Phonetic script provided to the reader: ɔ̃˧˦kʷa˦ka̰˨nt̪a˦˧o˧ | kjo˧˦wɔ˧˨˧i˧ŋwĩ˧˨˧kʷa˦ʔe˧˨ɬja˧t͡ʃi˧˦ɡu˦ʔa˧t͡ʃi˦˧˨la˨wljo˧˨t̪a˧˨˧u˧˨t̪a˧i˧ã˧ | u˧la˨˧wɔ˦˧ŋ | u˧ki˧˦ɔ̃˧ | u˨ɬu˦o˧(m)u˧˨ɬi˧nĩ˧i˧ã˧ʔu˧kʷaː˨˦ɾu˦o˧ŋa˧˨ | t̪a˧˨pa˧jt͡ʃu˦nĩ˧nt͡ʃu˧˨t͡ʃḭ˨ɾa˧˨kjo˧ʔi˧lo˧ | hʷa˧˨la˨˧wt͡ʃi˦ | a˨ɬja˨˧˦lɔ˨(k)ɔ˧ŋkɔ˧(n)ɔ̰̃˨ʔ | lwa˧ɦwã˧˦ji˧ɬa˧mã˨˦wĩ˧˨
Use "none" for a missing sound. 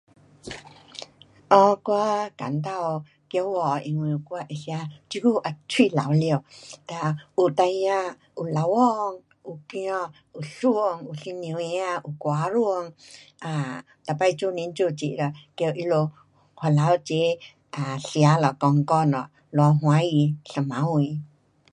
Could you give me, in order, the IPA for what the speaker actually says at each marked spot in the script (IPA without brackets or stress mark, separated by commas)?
ŋ, k, n